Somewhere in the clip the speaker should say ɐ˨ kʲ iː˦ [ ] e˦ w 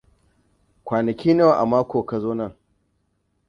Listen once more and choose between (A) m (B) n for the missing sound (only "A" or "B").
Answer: B